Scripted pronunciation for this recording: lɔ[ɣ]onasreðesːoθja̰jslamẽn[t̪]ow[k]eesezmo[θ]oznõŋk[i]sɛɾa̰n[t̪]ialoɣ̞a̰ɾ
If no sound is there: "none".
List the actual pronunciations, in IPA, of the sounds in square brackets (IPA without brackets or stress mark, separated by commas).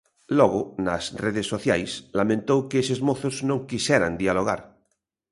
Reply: ɣ, t̪, k, θ, i, d̪